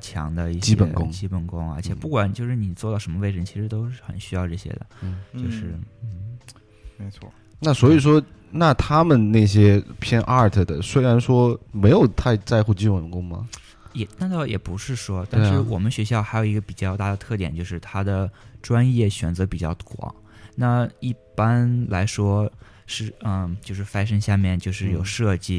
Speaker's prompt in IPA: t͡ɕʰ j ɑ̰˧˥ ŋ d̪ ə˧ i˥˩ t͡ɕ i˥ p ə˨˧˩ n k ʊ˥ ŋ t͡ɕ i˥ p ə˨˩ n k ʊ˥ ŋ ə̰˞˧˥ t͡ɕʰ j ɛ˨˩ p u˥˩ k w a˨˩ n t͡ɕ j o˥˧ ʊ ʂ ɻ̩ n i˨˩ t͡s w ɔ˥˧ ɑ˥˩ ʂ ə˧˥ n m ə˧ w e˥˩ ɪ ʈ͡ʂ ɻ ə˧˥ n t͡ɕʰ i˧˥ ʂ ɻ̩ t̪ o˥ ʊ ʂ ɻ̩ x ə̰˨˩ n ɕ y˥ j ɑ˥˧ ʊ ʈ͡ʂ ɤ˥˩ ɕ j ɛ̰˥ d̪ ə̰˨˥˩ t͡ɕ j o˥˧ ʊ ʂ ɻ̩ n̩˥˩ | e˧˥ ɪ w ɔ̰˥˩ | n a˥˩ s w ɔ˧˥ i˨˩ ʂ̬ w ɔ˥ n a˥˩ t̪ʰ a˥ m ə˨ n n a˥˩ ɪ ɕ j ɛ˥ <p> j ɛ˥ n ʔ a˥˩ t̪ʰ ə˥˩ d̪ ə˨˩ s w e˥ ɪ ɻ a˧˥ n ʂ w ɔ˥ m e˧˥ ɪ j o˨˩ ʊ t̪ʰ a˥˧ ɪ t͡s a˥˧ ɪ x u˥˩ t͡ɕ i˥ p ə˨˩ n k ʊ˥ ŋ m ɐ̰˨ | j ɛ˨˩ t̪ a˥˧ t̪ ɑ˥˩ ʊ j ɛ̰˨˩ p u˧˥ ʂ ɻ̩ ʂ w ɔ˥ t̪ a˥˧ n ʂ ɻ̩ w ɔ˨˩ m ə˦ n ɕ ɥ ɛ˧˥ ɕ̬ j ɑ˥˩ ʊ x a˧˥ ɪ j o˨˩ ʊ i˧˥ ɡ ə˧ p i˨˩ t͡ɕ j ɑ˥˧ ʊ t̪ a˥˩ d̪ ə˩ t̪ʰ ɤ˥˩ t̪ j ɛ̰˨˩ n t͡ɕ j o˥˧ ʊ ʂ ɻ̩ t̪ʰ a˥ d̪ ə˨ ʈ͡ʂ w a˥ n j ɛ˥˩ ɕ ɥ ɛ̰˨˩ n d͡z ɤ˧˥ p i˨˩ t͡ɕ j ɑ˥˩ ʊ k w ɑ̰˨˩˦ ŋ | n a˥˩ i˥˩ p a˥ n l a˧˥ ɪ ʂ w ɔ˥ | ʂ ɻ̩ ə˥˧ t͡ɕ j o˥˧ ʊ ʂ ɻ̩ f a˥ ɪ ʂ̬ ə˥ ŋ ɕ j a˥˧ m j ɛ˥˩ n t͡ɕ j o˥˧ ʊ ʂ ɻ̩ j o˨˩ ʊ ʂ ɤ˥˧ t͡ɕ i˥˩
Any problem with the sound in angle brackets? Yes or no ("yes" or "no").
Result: yes